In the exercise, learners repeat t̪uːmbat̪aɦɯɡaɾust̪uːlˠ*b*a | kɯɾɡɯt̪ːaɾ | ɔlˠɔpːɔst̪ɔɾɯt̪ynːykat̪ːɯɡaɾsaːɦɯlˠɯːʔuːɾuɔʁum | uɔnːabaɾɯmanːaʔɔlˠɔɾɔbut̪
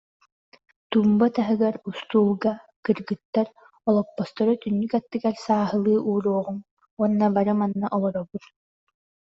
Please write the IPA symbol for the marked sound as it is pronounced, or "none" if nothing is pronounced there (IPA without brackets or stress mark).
ɡ